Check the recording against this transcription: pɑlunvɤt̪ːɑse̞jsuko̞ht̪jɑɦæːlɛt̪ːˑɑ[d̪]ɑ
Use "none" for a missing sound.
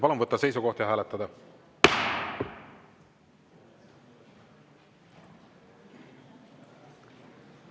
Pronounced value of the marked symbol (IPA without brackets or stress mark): d̪